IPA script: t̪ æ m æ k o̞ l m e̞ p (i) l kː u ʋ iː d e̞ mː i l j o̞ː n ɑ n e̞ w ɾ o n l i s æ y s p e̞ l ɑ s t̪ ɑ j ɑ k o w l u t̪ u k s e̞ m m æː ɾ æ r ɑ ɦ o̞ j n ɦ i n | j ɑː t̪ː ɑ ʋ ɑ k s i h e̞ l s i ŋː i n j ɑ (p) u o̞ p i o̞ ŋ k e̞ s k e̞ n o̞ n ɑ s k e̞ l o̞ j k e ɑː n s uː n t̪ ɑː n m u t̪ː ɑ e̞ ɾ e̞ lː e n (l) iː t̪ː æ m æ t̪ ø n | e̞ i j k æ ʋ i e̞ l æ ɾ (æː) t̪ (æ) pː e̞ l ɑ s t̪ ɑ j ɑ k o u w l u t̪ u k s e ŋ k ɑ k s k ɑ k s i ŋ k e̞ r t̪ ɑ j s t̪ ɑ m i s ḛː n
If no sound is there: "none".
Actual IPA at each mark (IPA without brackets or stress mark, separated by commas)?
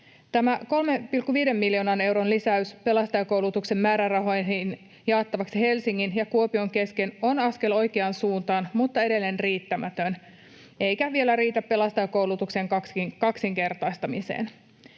i, k, r, iː, æ